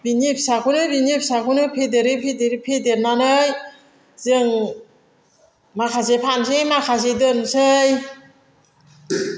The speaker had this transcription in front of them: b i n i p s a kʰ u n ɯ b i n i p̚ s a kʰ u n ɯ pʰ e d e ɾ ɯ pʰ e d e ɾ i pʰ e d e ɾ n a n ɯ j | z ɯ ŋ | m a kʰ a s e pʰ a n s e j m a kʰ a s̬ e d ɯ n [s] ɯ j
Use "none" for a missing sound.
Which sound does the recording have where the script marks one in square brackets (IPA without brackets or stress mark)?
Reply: s